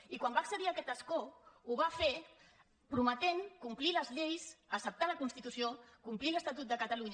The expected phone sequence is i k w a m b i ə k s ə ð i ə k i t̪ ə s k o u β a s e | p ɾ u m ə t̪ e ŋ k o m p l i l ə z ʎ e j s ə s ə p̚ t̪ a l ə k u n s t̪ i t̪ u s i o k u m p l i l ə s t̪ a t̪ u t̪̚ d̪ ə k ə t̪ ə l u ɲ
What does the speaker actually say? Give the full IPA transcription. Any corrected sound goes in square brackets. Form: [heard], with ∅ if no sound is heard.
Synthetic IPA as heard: i k w a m b [a] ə k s ə ð i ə k [ɛ] t̪ ə s k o u β a [f] e | p ɾ u m ə t̪ e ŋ k [u] m p l i l ə z ʎ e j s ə s ə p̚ t̪ a l ə k u n s t̪ i t̪ u s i o k u m p l i l ə s t̪ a t̪ u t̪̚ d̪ ə k ə t̪ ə l u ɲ